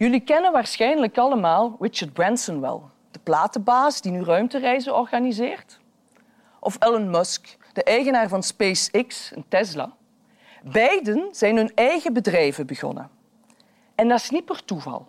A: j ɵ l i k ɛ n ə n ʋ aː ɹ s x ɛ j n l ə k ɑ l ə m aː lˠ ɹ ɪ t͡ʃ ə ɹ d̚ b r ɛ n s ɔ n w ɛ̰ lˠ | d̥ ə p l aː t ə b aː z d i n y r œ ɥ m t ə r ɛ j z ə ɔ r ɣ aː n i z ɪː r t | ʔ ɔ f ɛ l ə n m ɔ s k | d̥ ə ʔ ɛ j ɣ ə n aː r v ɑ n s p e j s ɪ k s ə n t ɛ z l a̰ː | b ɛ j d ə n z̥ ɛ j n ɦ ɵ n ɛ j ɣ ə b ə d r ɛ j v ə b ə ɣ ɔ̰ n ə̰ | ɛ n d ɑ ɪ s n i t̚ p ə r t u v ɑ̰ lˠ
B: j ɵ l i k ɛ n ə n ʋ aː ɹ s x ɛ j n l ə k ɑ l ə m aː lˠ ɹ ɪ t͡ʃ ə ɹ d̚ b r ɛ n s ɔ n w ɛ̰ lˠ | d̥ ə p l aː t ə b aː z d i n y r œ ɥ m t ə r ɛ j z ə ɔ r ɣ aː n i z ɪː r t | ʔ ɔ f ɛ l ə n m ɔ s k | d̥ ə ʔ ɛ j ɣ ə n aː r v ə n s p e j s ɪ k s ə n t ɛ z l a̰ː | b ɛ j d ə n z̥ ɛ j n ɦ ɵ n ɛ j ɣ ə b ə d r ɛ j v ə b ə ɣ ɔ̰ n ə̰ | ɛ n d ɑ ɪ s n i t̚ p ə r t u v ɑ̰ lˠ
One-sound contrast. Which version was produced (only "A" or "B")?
A